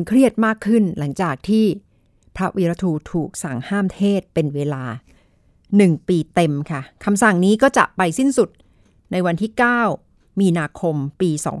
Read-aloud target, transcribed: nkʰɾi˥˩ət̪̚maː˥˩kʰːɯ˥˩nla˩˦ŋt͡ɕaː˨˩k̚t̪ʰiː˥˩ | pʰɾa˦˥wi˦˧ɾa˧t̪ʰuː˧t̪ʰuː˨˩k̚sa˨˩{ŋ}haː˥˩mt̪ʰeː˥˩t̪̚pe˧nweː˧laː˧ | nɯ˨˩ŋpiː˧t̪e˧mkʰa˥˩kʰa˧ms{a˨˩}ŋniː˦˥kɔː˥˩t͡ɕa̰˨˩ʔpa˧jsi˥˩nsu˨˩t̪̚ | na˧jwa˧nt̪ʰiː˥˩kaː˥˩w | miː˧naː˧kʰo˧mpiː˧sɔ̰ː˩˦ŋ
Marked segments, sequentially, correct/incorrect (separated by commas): correct, correct